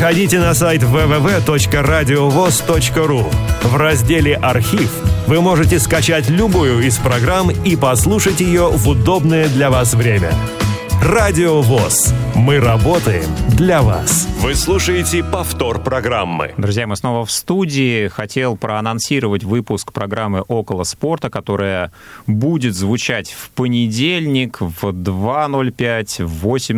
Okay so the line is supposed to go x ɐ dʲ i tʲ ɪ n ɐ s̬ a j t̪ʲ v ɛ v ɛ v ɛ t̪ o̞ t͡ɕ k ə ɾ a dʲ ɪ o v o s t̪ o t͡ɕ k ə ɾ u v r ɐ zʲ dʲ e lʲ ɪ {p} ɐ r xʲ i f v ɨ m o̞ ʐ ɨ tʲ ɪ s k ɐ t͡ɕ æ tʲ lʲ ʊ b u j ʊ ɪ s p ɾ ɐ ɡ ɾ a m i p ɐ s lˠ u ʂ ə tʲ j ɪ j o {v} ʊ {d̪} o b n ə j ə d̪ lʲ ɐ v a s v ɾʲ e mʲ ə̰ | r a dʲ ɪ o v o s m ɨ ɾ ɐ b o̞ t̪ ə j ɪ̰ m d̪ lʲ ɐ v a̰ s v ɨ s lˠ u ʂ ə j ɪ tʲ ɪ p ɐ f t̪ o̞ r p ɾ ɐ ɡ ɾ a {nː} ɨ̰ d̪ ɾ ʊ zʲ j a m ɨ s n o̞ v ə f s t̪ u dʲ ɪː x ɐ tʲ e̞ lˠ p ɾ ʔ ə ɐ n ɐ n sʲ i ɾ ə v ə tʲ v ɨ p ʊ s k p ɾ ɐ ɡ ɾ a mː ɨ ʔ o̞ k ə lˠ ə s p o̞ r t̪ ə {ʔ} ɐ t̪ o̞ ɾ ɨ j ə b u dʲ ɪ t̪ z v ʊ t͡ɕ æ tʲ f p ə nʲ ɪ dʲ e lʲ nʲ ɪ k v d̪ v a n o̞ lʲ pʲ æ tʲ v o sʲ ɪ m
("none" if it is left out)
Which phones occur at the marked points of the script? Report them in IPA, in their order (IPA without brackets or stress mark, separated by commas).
ʔ, v, d̪, mː, k